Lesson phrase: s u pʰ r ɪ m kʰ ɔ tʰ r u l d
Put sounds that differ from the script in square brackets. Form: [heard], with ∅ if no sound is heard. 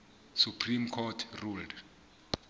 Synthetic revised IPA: s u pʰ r [i] m kʰ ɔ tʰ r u l d